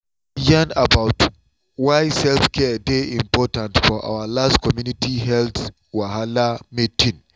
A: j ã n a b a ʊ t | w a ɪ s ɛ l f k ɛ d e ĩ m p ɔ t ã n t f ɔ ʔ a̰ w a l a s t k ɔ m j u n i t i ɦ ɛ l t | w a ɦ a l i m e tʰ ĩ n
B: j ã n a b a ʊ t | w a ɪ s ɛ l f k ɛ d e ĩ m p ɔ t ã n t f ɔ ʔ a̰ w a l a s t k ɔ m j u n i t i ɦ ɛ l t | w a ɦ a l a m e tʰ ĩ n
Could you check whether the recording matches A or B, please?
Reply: B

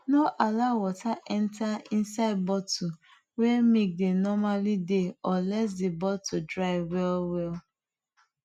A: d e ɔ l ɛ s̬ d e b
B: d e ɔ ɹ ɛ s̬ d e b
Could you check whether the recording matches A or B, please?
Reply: A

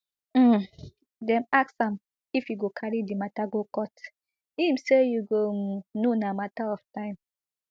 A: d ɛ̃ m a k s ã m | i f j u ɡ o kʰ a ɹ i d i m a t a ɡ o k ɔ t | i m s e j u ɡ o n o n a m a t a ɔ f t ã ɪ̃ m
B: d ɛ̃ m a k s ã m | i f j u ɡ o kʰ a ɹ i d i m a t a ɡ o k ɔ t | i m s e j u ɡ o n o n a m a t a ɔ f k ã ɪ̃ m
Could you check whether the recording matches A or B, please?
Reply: A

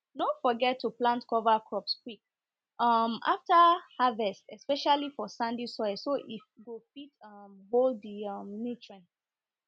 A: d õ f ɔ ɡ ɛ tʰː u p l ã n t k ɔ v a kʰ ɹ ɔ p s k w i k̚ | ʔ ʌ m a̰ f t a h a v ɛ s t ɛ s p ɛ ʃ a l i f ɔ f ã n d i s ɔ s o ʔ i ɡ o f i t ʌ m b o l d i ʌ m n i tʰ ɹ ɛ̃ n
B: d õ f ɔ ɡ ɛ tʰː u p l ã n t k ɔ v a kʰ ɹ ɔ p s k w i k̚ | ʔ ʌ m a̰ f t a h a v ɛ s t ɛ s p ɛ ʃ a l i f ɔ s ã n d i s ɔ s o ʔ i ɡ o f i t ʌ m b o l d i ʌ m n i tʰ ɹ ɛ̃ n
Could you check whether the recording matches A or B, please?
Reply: B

